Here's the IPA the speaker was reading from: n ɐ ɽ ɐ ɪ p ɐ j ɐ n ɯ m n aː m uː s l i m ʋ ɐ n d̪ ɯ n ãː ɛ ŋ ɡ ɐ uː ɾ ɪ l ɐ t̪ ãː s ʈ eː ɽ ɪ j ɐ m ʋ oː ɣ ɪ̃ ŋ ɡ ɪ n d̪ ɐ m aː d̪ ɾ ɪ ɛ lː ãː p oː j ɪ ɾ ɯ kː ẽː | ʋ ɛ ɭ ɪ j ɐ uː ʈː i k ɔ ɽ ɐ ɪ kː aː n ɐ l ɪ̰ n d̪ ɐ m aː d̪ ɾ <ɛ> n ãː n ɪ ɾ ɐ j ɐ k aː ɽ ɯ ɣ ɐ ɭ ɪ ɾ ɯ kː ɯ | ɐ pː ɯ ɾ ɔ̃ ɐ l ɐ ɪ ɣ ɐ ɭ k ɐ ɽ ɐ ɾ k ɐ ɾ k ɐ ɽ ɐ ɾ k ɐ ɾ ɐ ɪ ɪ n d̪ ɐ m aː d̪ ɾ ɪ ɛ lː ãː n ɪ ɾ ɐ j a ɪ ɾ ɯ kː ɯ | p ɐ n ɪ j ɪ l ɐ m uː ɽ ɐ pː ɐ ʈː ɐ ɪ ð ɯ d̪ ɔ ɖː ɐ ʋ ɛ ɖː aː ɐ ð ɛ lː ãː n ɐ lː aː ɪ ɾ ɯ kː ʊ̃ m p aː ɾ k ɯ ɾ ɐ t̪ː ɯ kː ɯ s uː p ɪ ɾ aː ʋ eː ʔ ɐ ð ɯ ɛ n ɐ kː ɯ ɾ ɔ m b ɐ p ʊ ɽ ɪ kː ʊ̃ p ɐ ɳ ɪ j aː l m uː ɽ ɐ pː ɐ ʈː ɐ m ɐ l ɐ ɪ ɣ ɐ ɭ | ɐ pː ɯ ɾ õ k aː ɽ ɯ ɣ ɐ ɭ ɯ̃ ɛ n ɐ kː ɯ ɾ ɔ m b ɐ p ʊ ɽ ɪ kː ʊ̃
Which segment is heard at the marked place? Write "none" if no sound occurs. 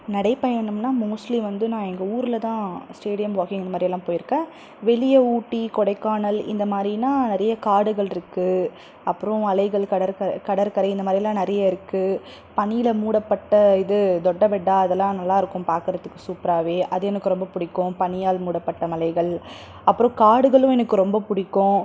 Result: i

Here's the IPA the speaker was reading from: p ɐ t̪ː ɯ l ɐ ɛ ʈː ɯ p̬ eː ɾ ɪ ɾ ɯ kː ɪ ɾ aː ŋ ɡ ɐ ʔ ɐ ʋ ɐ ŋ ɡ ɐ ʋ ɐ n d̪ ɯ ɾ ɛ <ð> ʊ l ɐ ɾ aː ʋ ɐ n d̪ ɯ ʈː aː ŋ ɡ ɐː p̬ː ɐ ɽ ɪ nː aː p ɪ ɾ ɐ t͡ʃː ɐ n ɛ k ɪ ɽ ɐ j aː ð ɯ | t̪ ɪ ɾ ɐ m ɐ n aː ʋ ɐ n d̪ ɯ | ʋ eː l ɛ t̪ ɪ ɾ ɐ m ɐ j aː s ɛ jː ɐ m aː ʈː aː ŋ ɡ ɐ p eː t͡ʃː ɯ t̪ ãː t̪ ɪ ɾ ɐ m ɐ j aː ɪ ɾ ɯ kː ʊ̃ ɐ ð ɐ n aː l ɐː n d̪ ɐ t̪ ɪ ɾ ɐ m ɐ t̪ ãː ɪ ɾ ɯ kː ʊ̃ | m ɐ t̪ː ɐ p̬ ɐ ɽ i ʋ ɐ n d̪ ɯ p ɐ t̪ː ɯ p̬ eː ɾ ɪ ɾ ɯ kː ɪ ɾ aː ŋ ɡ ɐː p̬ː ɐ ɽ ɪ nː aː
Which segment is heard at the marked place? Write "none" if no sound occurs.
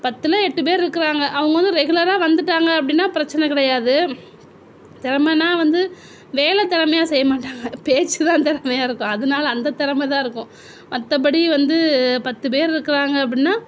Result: ɣ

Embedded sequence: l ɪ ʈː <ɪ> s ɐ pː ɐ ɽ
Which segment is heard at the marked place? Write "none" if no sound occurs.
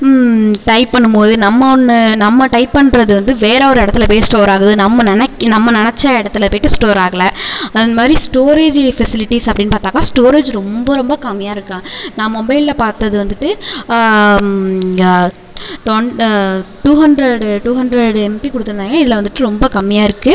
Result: i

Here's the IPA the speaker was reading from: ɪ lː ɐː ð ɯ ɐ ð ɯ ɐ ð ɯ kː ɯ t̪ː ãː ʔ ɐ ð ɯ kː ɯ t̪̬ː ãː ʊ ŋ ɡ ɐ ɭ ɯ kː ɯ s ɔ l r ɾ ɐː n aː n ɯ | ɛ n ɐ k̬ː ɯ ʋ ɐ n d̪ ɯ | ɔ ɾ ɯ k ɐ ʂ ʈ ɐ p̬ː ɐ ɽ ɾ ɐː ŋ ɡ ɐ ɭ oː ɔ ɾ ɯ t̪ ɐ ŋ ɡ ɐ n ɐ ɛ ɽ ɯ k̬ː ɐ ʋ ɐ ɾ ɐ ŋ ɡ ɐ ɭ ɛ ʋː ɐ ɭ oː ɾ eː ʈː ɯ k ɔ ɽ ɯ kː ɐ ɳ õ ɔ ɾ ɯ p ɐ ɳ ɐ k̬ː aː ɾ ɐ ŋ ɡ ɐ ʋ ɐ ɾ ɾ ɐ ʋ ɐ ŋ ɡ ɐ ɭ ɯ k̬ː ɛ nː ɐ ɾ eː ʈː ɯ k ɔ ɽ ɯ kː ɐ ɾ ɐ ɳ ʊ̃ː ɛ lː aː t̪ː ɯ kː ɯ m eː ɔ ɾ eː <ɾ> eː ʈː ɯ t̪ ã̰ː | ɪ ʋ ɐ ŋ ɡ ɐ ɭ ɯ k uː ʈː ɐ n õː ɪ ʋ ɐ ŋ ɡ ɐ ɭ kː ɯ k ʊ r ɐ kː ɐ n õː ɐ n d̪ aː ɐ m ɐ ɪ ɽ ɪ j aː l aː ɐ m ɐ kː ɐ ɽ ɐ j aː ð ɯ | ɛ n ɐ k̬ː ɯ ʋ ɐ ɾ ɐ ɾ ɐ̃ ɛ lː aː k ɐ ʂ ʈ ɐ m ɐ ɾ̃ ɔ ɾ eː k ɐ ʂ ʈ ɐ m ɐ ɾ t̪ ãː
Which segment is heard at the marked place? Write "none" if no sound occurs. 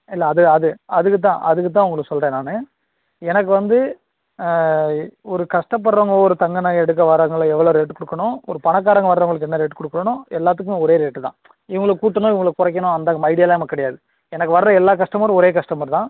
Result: ɾ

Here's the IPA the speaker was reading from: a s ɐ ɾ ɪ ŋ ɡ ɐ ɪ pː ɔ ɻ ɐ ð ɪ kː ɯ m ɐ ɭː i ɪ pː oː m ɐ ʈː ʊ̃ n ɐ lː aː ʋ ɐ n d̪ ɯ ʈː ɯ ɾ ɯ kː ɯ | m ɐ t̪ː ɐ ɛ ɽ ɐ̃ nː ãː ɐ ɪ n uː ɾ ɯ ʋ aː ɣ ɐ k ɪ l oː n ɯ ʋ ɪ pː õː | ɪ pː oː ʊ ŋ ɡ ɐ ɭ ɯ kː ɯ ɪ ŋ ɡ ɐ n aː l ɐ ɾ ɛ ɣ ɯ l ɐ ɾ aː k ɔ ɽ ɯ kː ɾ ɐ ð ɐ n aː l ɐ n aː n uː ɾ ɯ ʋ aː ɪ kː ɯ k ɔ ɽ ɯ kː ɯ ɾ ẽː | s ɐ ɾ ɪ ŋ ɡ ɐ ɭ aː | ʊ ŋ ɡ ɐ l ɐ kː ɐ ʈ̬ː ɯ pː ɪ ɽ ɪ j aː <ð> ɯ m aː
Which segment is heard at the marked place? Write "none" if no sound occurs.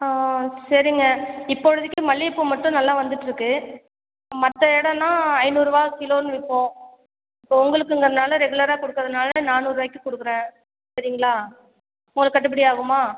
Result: ɣ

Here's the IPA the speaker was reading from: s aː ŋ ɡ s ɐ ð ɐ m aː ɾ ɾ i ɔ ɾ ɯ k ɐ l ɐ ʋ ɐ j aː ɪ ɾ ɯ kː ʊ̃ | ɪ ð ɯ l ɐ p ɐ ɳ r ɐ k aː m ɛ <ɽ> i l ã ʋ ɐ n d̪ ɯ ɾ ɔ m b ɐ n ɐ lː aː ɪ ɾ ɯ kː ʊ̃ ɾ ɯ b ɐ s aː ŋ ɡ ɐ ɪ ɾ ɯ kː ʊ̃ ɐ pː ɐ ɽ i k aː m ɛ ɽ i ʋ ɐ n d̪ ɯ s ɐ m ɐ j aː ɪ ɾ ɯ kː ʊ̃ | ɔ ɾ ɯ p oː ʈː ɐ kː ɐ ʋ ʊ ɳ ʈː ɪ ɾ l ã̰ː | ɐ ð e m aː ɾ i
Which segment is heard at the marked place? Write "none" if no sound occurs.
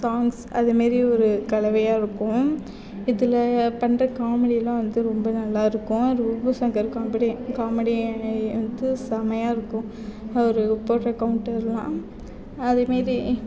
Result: ɽ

